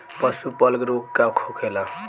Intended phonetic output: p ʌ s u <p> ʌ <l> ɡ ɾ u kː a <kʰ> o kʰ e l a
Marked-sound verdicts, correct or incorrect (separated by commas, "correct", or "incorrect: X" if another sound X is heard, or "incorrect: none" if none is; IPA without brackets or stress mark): correct, correct, correct